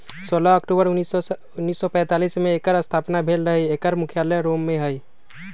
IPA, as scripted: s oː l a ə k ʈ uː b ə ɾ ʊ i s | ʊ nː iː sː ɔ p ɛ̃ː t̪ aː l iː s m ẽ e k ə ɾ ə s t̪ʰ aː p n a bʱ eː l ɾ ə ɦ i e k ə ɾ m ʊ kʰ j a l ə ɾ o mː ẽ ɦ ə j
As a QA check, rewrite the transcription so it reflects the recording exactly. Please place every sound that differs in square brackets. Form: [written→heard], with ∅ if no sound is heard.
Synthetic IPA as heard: s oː l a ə k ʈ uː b ə ɾ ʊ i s | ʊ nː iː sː ɔ p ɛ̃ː t̪ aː l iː s m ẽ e k ə ɾ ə s t̪ʰ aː p n a bʱ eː l ɾ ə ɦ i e k ə ɾ m ʊ kʰ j a l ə ɾ o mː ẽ ɦ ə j

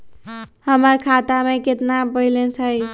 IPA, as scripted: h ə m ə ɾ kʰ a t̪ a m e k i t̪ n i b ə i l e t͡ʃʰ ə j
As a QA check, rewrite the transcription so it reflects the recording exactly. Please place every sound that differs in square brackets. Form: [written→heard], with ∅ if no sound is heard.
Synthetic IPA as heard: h ə m ə ɾ kʰ a t̪ a m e k [i→e] t̪ n [i→a] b ə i l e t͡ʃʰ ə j

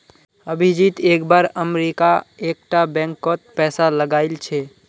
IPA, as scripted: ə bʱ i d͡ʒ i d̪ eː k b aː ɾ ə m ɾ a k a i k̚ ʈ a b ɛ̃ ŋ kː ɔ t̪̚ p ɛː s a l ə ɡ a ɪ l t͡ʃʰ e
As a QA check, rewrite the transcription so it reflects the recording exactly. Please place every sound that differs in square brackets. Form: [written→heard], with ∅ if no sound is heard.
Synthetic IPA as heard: ə bʱ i d͡ʒ i [d̪→t̪] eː k b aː ɾ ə m ɾ [a→i] k a [i→e] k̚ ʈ a b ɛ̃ ŋ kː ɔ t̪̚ p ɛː s a l ə ɡ a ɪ l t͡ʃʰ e

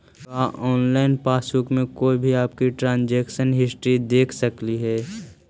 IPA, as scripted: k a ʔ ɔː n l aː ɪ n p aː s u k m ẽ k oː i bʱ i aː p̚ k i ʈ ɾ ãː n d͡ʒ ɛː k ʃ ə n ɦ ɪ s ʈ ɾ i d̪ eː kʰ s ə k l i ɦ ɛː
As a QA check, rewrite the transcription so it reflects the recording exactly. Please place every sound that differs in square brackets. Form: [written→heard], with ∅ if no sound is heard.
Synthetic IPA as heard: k a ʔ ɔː n l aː ɪ n p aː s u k m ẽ k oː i bʱ i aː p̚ k i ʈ ɾ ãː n d͡ʒ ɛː k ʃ ə n ɦ ɪ s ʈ ɾ i d̪ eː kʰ s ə k l i ɦ ɛː

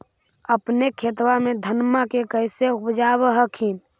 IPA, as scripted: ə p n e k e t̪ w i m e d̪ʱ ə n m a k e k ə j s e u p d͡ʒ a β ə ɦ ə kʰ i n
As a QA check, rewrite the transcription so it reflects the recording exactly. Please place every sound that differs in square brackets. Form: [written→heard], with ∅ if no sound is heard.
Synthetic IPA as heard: ə p n e [k→kʰ] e t̪ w [i→a] m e d̪ʱ ə n m a k e k ə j s e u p d͡ʒ a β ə ɦ ə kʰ i n

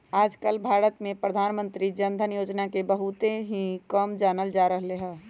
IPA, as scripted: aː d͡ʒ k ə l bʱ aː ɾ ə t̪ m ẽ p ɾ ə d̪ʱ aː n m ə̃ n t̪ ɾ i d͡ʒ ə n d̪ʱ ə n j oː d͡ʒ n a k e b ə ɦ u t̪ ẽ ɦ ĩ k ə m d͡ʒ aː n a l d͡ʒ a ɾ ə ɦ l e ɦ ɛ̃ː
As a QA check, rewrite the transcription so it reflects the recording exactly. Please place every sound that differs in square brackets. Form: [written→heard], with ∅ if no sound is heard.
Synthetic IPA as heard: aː d͡ʒ k ə l bʱ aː ɾ ə t̪ m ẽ p ɾ ə d̪ʱ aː n m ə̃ n t̪ ɾ i d͡ʒ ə n d̪ʱ ə n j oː d͡ʒ n a k e b ə ɦ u t̪ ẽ ɦ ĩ k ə m d͡ʒ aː n [a→ə] l d͡ʒ a ɾ ə ɦ l e ɦ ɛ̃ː

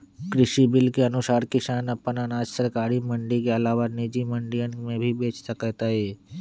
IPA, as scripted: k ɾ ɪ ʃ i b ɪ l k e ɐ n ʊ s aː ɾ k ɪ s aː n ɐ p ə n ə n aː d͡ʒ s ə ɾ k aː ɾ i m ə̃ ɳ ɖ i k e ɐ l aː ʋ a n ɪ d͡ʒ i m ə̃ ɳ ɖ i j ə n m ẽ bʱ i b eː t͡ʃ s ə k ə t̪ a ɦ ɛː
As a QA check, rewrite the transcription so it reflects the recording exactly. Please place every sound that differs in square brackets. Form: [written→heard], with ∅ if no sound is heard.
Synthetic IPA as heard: k ɾ ɪ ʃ i b ɪ l k e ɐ n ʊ s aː ɾ k ɪ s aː n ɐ p ə n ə n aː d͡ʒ s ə ɾ k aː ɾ i m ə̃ ɳ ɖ i k e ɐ l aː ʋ a n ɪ d͡ʒ i m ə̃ ɳ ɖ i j ə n m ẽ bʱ i b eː t͡ʃ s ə k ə t̪ a ɦ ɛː

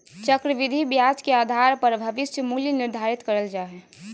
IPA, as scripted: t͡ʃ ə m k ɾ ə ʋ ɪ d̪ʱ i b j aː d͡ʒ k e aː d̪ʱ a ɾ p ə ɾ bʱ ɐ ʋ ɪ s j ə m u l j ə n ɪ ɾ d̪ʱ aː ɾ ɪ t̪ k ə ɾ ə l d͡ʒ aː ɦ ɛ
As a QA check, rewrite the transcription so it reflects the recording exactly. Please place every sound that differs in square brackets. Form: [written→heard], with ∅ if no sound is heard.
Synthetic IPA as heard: t͡ʃ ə [m→∅] k ɾ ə ʋ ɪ d̪ʱ i b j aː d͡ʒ k e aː d̪ʱ a ɾ p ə ɾ bʱ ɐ ʋ ɪ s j ə m u l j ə n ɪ ɾ d̪ʱ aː ɾ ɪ t̪ k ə ɾ ə l d͡ʒ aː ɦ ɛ

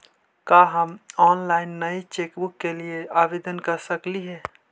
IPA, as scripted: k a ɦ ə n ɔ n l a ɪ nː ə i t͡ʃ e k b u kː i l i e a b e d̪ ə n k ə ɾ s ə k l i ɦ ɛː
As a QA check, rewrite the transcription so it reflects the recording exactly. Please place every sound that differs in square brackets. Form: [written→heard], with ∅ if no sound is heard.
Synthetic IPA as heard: k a ɦ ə [n→m] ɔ n l a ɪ nː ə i t͡ʃ e k b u kː [i→e] l i e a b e d̪ ə n k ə ɾ s ə k l i ɦ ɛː

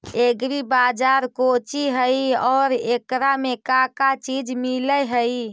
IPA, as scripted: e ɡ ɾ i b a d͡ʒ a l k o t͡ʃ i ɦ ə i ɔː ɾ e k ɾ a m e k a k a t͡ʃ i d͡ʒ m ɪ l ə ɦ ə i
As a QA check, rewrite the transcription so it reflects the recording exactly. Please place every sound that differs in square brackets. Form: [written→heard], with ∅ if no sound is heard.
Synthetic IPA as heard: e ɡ ɾ i b a d͡ʒ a [l→ɾ] k o t͡ʃ i ɦ ə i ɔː ɾ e k ɾ a m e k a k a t͡ʃ i d͡ʒ m [ɪ→i] l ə ɦ ə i

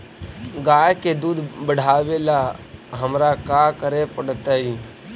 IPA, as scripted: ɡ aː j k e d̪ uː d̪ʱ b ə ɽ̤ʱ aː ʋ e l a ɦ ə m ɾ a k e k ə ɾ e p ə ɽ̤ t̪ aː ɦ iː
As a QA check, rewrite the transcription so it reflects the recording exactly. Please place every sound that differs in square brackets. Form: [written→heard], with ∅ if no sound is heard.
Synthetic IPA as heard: ɡ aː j k e d̪ uː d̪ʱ b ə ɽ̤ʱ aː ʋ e l a ɦ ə m ɾ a k [e→a] k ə ɾ e p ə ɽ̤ t̪ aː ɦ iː

